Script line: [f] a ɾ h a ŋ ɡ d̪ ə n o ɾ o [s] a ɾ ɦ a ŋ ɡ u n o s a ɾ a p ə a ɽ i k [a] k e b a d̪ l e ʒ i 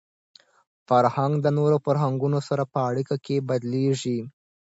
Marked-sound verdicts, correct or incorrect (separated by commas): correct, incorrect, correct